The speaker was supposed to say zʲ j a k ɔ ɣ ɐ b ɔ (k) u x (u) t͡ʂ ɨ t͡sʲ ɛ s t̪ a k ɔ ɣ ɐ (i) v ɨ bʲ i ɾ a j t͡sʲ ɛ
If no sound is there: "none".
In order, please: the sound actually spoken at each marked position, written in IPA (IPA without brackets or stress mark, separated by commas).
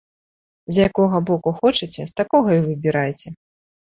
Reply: k, ɔ, i